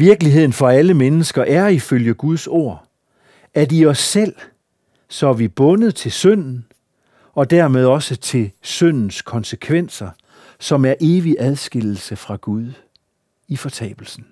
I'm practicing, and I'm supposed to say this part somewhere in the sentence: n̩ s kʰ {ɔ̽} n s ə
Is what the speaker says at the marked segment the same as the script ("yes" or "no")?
no